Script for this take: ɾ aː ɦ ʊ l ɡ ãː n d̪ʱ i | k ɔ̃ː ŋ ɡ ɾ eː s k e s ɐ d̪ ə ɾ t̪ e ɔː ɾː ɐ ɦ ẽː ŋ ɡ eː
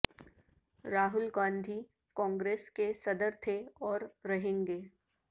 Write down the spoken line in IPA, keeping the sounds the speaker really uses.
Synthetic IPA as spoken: ɾ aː ɦ ʊ l ɡ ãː n d̪ʱ i | k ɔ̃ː ŋ ɡ ɾ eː s k e s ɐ d̪ ə ɾ t̪ʰ e ɔː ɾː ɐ ɦ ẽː ŋ ɡ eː